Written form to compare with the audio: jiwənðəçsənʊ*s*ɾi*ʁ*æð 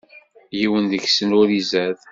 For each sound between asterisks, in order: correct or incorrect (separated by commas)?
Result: incorrect, incorrect